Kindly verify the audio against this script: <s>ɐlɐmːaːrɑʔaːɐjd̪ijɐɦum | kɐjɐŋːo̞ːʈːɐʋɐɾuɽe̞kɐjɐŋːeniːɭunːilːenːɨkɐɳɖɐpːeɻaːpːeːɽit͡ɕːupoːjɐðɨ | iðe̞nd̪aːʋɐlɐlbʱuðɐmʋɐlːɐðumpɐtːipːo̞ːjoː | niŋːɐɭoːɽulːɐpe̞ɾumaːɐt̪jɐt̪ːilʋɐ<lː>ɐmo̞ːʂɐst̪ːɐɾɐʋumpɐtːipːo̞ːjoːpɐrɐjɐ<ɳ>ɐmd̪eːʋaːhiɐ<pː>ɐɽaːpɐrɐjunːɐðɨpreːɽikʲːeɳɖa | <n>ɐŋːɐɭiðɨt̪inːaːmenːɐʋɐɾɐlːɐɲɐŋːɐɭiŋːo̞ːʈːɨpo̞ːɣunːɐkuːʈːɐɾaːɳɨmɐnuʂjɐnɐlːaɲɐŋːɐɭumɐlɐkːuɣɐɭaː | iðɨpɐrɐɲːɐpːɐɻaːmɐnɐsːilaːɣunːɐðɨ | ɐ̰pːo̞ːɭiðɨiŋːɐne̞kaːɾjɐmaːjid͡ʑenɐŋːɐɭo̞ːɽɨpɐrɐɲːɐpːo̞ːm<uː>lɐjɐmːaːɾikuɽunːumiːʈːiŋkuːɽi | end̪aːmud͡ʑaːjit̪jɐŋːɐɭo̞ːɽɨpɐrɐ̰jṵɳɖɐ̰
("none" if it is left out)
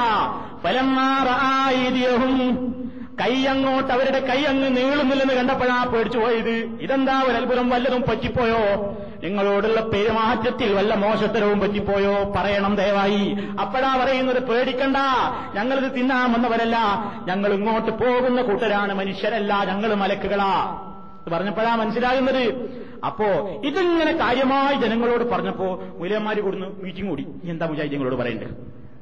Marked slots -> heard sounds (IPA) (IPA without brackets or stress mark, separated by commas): f, lː, ɳ, pː, ɲ, u